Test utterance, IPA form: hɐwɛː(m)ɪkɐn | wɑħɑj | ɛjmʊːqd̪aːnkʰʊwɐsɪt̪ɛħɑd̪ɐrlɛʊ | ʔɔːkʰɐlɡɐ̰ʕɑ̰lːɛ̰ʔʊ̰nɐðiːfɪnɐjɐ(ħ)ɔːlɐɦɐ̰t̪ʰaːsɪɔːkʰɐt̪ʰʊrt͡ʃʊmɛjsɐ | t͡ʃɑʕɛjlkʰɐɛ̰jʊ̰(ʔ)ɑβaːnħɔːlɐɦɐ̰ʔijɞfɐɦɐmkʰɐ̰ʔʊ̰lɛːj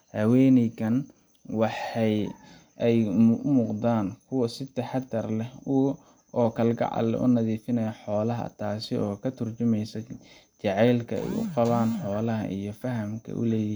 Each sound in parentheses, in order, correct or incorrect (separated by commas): incorrect, correct, incorrect